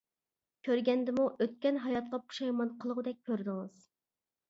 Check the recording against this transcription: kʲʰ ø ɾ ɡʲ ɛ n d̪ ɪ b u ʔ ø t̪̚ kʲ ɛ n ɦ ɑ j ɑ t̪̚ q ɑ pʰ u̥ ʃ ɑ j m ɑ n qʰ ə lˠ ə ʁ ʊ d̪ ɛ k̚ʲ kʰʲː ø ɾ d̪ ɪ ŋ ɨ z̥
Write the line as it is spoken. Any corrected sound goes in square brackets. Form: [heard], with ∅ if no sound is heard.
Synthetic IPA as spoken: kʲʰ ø ɾ ɡʲ ɛ n d̪ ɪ [m] u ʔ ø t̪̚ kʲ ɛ n ɦ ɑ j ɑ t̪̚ q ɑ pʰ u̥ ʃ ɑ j m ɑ n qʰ ə lˠ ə ʁ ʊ d̪ ɛ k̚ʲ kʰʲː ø ɾ d̪ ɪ ŋ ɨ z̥